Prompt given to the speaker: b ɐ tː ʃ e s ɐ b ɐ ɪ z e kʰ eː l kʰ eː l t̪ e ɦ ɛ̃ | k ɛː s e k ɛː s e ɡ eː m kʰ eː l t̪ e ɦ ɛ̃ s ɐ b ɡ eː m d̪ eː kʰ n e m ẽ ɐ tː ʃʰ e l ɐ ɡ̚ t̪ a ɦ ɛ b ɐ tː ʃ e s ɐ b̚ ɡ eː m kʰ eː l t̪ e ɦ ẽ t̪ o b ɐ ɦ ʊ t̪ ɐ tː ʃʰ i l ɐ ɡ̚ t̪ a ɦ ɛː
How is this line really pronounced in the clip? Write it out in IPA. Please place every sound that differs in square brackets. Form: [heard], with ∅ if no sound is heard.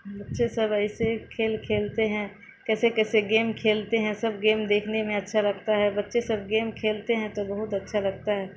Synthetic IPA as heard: b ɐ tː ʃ e s ɐ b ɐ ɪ [s] e kʰ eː l kʰ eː l t̪ e ɦ ɛ̃ | k ɛː s e k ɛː s e ɡ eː m kʰ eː l t̪ e ɦ ɛ̃ s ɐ b ɡ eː m d̪ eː kʰ n e m ẽ ɐ tː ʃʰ [a] l ɐ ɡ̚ t̪ a ɦ ɛ b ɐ tː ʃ e s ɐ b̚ ɡ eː m kʰ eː l t̪ e ɦ [ɛ̃] t̪ o b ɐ ɦ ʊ t̪ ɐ tː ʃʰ [a] l ɐ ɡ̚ t̪ a ɦ ɛː